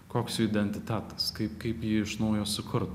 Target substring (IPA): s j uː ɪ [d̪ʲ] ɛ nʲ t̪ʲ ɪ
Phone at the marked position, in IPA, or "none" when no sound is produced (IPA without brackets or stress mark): d̪ʲ